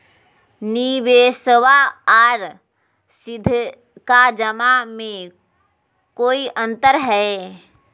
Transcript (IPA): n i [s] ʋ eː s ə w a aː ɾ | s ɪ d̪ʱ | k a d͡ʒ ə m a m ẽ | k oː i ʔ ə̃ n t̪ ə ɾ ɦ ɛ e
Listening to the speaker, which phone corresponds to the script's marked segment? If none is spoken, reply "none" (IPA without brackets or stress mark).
none